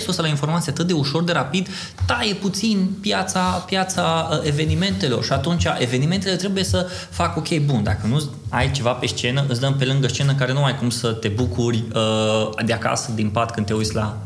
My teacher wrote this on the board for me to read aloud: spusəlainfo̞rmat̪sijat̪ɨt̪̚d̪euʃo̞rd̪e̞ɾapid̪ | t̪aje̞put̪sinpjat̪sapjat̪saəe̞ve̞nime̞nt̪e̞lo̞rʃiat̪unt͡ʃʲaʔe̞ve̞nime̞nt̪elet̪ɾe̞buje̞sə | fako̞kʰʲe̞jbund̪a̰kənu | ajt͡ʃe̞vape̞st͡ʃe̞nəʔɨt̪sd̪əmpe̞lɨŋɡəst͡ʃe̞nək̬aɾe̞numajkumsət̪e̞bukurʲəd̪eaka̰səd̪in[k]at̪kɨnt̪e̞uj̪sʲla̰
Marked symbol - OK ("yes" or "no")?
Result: no